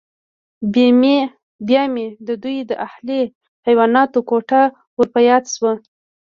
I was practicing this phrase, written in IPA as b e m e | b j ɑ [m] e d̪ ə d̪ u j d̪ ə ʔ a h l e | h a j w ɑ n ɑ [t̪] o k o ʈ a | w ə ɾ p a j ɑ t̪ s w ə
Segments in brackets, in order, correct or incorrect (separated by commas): correct, correct